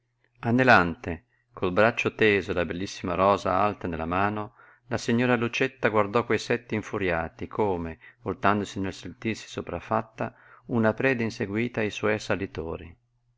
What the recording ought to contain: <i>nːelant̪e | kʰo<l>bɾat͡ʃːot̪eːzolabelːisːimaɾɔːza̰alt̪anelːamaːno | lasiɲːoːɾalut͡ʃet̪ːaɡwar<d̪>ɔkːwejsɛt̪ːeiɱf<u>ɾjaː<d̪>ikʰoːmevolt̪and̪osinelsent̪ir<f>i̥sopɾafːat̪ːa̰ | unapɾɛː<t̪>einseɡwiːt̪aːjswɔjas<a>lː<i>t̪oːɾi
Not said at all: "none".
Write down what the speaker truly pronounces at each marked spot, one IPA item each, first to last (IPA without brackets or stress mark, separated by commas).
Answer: a, l, d̪, u, t̪, s, d̪, a, i